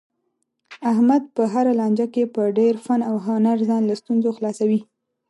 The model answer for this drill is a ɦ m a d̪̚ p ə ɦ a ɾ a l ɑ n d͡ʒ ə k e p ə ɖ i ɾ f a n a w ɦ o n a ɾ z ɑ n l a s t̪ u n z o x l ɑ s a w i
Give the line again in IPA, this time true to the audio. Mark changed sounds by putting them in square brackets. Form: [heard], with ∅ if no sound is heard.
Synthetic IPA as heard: a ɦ m a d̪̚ p ə ɦ a ɾ a l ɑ n d͡ʒ [a] k e p ə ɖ [e] ɾ f a n a w ɦ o n a ɾ z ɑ n l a s t̪ u n z o x l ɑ s a w i